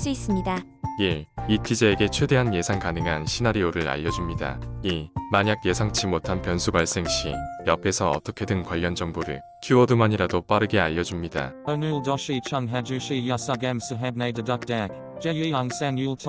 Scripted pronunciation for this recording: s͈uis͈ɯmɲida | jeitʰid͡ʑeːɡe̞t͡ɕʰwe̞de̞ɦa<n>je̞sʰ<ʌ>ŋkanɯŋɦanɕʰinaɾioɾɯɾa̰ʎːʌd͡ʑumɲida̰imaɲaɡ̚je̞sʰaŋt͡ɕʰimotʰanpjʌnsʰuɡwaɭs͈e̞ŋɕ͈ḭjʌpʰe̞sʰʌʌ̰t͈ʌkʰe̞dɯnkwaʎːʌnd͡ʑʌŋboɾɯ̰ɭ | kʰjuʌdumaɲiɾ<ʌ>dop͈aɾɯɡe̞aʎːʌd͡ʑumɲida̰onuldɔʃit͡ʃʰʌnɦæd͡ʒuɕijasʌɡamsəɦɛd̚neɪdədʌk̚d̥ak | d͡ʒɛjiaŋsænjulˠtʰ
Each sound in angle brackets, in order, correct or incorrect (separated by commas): correct, incorrect, incorrect